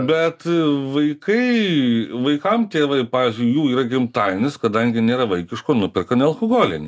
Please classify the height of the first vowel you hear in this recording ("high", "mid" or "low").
mid